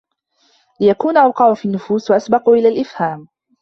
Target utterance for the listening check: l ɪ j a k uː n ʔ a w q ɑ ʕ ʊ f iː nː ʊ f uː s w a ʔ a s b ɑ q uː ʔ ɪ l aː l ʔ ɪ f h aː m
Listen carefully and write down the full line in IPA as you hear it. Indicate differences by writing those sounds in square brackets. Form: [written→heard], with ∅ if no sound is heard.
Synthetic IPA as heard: l ɪ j a k uː n ʔ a w q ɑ ʕ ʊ f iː nː ʊ f uː s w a ʔ a s b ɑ q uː ʔ ɪ l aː l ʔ ɪ f h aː m